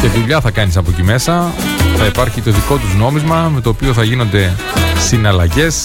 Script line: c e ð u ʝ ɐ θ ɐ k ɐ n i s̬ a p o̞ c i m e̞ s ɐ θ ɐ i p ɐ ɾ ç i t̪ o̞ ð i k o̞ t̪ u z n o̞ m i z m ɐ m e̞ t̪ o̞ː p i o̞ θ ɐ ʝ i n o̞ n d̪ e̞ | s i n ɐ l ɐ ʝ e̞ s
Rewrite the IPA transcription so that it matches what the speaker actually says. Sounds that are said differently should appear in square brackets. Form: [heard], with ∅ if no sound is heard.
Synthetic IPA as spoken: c e ð u [ʎ] ɐ θ ɐ k ɐ n i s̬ [ɐ] p o̞ c i m e̞ s ɐ θ ɐ i p ɐ ɾ ç i t̪ o̞ ð i k o̞ t̪ u z n o̞ m i z m ɐ m e̞ t̪ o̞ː p i o̞ θ ɐ ʝ i n o̞ n d̪ e̞ | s i n ɐ l ɐ ʝ e̞ s